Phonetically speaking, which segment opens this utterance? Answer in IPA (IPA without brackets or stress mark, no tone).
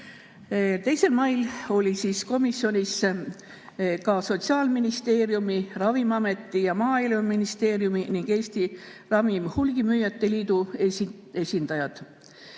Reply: t̪